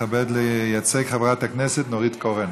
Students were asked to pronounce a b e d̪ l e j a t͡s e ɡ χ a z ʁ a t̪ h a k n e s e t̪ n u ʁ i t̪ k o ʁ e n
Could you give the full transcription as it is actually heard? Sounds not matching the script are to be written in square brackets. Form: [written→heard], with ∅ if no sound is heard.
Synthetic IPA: a b e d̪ l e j a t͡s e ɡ χ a [z→v] ʁ a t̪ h a k n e s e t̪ n [u→o] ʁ i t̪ k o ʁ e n